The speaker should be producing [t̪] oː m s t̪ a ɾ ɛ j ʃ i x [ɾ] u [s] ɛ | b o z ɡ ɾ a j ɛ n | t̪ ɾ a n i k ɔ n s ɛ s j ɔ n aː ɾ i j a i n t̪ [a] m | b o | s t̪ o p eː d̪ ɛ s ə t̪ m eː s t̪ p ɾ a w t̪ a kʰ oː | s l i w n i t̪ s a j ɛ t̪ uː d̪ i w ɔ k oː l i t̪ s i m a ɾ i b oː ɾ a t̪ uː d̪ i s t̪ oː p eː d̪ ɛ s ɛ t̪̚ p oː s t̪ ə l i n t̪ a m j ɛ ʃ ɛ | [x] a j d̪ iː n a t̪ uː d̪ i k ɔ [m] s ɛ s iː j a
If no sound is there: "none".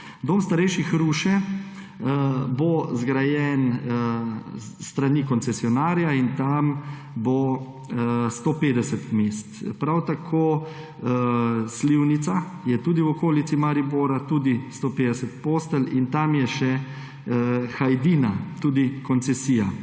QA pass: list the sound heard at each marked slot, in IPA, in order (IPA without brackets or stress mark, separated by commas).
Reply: d̪, ɾ, ʃ, a, x, n